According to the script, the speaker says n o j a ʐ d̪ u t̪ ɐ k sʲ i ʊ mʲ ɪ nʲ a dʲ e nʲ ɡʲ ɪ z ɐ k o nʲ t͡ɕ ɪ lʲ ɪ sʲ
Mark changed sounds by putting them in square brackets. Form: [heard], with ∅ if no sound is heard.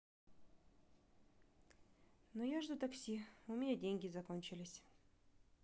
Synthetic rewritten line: n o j a ʐ d̪ u t̪ ɐ k sʲ i ʊ mʲ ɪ nʲ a dʲ e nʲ ɡʲ ɪ z ɐ k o nʲ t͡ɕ ɪ lʲ ɪ sʲ